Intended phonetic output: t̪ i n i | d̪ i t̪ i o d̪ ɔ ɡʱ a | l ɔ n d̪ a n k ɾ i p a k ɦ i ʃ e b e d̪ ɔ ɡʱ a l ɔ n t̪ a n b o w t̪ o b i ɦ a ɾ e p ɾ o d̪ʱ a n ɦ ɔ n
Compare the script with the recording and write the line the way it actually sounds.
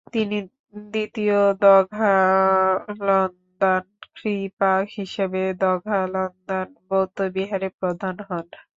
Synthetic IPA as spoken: t̪ i n i | d̪ i t̪ i o d̪ ɔ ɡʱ a | l ɔ n d̪ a n k ɾ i p a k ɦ i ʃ e b e d̪ ɔ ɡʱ a l ɔ n d̪ a n b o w t̪ o b i ɦ a ɾ e p ɾ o d̪ʱ a n ɦ ɔ n